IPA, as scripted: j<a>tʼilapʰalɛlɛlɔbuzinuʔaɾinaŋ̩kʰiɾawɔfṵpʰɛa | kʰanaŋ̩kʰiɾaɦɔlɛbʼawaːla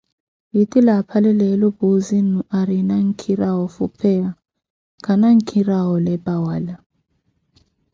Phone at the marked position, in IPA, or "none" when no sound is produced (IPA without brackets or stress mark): i